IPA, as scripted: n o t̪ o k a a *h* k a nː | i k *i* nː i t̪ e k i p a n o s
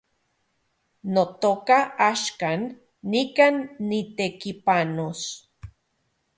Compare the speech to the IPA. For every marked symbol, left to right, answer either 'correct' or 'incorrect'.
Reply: incorrect: ʃ, incorrect: a

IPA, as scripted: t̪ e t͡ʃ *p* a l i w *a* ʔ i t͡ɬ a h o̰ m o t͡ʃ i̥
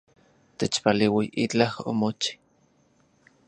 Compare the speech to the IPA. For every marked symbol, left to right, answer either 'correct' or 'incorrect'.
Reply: correct, incorrect: i

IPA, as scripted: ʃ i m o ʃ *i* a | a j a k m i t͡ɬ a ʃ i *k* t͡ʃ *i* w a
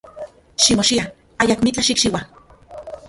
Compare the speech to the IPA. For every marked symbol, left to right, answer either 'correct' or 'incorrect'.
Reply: correct, correct, correct

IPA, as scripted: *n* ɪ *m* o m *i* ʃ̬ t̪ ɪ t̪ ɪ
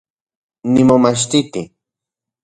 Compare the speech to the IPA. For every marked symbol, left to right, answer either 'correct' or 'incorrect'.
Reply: correct, correct, incorrect: a

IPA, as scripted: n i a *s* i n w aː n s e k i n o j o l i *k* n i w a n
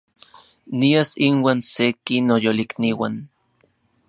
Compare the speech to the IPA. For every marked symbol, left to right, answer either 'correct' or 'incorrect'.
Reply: correct, correct

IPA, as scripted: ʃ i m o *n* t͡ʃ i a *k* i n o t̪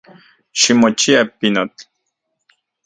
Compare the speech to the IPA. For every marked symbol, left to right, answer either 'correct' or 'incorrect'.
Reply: incorrect: none, incorrect: p

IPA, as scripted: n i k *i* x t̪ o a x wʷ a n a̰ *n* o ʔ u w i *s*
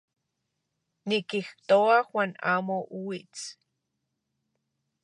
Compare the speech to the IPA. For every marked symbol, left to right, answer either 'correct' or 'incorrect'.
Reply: correct, incorrect: m, incorrect: t͡s

